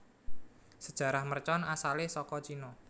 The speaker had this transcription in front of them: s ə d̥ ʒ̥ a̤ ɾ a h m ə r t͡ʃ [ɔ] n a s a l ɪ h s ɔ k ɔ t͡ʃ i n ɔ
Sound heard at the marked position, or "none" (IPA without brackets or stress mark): ɔ